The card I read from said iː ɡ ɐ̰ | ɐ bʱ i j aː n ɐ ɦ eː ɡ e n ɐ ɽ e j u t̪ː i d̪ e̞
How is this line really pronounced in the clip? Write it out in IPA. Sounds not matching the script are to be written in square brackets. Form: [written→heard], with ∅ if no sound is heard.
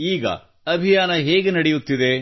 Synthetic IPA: iː ɡ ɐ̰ | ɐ bʱ i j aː n ɐ ɦ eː ɡ e n ɐ ɽ e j u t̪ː i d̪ e̞